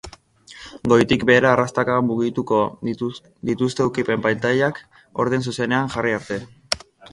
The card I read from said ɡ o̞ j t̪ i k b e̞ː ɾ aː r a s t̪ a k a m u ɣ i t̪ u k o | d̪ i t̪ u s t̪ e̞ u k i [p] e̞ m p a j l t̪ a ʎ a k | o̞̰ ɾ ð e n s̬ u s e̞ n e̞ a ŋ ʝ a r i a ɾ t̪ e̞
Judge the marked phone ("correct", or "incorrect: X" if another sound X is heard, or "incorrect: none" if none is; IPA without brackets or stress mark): correct